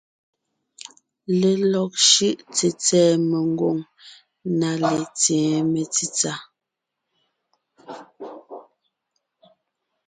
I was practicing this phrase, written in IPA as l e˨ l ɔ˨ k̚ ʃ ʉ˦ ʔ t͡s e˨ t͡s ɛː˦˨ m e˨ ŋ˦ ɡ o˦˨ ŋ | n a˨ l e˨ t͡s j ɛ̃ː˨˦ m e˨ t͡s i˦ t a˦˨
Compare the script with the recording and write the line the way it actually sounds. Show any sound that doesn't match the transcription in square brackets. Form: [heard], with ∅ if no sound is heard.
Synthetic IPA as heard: l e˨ l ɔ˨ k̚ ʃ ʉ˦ ʔ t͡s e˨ t͡s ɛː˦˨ m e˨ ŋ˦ ɡ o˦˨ ŋ | n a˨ l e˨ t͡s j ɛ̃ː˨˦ m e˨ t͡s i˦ [t͡s] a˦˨